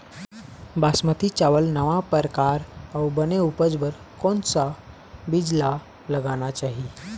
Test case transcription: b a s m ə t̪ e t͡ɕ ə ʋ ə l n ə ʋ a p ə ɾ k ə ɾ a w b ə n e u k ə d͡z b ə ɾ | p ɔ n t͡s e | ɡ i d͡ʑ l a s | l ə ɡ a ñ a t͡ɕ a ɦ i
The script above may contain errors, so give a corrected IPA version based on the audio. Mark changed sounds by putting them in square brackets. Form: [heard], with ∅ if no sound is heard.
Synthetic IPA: b a s m ə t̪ [i] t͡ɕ [a] ʋ ə l n ə ʋ a p ə ɾ k [a] ɾ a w b ə n e u [p] ə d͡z b ə ɾ | [k] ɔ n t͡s [a] | [b] i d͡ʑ l a [∅] | l ə ɡ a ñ a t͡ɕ a ɦ i